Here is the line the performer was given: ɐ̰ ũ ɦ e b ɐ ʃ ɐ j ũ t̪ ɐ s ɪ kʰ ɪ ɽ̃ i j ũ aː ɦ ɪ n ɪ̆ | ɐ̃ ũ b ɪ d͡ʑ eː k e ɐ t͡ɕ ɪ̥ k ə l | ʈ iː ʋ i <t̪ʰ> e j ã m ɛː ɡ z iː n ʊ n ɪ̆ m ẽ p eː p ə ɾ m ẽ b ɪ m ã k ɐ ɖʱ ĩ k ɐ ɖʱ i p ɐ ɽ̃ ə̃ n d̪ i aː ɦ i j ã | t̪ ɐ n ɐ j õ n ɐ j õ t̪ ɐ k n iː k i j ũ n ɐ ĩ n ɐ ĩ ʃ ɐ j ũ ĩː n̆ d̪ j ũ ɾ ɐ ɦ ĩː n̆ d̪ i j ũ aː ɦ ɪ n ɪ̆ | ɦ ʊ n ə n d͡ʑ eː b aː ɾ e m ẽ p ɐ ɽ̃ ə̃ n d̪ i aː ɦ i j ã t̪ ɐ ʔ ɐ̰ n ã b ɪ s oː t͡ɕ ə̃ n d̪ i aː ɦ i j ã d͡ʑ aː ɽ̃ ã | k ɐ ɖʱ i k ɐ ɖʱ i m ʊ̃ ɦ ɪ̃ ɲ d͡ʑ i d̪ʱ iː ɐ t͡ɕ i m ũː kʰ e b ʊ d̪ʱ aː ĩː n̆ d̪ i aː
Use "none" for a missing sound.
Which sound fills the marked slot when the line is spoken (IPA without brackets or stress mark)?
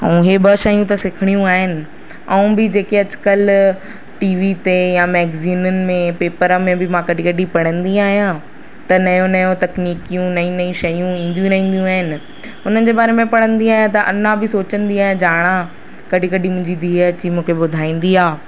t̪